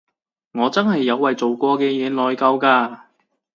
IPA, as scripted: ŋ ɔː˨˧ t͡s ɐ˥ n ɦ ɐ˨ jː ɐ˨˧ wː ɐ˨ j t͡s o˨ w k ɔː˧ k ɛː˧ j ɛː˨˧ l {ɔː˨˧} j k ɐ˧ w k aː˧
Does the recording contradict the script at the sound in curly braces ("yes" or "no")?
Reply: no